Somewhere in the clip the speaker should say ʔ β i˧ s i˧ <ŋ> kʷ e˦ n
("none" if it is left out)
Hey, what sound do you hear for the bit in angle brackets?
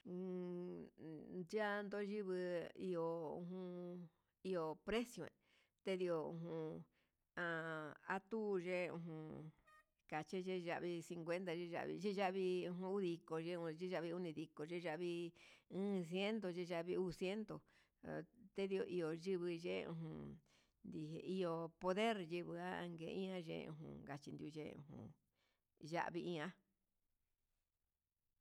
ŋ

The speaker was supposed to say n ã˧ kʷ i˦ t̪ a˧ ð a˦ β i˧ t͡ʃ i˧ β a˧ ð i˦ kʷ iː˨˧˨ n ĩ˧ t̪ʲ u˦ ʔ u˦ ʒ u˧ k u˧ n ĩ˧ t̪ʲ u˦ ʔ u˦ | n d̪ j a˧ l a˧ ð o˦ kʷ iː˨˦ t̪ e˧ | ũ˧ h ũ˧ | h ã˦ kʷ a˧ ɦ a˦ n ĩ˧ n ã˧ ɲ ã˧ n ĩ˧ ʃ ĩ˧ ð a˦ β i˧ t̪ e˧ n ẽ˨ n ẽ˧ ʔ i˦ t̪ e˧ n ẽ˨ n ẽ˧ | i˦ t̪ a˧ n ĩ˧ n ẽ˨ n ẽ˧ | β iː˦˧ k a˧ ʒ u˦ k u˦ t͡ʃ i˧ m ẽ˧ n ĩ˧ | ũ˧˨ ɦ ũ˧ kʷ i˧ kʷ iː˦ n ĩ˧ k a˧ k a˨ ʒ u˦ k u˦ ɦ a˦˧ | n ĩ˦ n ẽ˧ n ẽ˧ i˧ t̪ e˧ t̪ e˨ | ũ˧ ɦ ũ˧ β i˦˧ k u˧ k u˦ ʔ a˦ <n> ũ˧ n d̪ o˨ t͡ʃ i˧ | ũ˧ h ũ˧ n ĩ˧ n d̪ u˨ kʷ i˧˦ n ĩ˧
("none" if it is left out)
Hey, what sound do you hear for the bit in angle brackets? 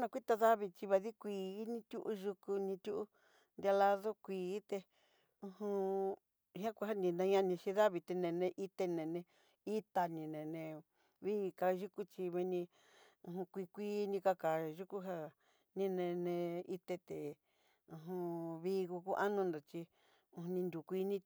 n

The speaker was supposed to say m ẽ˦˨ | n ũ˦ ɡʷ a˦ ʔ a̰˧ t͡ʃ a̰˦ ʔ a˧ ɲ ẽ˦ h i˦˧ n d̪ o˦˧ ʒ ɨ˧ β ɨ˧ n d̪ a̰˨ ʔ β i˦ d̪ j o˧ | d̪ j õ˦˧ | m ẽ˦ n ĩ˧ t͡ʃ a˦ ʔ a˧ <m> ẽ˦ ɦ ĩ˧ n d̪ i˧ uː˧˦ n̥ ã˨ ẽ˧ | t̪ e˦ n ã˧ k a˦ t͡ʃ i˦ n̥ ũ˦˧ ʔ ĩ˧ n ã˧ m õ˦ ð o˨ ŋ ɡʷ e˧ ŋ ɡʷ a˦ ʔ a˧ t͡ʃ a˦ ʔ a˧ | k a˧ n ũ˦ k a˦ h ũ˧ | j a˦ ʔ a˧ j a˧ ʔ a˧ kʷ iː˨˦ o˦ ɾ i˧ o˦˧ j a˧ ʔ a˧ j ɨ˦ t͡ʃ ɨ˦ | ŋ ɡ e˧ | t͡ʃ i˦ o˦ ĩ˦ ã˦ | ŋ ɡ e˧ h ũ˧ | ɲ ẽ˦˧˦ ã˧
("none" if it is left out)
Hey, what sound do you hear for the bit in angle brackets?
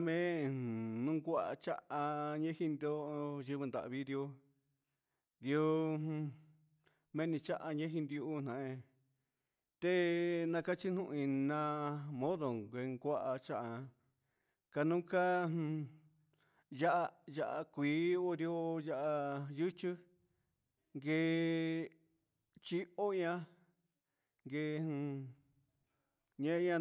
ɲ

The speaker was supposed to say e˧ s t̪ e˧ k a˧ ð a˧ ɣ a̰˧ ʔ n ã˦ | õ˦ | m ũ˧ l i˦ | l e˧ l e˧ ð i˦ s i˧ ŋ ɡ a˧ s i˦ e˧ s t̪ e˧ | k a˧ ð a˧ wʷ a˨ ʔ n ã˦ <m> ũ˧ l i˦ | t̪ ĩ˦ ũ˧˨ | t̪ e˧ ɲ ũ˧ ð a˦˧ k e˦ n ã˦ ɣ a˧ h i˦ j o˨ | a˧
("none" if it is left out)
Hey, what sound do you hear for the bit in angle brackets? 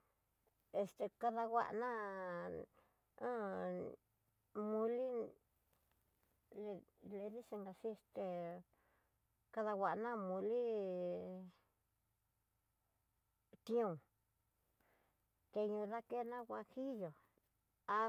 m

